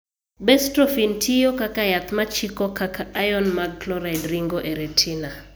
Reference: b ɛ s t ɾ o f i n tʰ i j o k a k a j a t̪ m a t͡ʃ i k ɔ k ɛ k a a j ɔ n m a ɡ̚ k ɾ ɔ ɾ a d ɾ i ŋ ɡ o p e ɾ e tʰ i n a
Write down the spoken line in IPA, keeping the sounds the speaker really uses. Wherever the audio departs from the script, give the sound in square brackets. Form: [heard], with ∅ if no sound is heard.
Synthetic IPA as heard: b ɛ s t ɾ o f i n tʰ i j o k a k a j a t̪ m a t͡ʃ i k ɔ k [a] k a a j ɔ n m a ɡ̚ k [l] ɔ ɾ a d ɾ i ŋ ɡ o [ʔ] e ɾ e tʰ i n a